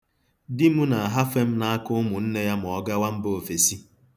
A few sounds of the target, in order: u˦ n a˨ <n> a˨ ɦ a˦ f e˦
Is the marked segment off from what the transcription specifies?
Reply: yes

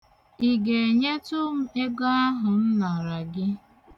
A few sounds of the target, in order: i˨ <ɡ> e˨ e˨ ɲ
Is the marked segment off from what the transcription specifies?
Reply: no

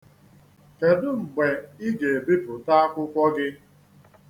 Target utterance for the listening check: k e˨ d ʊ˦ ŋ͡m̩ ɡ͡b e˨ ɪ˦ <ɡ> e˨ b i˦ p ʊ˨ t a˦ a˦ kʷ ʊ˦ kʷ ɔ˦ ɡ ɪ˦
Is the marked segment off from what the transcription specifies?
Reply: no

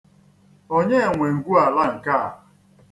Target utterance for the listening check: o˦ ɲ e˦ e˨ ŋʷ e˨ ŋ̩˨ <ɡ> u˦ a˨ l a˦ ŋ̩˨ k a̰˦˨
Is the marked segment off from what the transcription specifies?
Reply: no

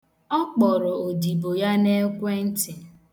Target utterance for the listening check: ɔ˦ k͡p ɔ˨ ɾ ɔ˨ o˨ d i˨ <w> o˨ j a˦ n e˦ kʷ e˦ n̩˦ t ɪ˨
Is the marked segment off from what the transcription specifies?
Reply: yes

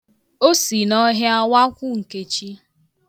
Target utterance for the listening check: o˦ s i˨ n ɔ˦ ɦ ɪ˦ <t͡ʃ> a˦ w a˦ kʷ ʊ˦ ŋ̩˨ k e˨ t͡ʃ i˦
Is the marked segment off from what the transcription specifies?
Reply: yes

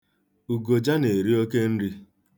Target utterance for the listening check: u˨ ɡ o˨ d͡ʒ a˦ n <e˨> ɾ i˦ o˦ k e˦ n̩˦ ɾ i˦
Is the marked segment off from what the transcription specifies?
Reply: no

